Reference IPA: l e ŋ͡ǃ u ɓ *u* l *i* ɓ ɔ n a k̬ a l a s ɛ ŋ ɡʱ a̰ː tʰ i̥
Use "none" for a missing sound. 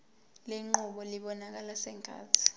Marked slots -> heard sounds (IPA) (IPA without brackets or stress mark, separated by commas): ɔ, i